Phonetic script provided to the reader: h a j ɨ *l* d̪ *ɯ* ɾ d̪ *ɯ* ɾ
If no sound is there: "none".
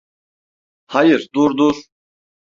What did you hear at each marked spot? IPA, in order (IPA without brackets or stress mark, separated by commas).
ɾ, u, u